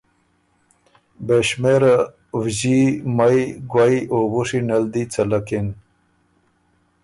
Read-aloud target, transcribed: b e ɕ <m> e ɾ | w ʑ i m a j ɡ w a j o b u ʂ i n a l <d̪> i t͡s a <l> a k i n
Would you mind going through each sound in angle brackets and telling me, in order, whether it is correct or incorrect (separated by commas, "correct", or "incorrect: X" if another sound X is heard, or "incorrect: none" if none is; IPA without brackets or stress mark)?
correct, correct, correct